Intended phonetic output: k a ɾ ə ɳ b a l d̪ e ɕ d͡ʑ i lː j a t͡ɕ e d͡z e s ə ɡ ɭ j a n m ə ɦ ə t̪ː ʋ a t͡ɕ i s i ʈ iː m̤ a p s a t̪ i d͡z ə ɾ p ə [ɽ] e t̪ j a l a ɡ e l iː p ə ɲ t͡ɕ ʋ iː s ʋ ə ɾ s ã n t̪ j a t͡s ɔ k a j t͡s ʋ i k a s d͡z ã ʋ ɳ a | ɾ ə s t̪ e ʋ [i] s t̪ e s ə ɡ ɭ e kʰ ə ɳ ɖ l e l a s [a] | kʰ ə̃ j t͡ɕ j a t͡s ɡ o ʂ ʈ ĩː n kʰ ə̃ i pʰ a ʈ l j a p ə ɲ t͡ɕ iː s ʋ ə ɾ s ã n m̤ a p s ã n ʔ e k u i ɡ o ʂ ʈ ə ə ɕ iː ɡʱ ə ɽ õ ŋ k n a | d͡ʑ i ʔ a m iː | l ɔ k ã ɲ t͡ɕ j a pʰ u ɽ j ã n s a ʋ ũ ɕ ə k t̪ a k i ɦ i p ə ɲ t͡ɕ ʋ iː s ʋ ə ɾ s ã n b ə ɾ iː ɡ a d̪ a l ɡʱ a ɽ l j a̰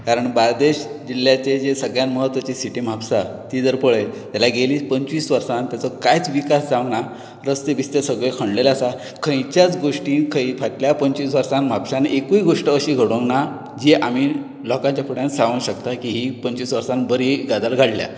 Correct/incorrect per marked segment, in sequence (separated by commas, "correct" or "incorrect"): incorrect, correct, correct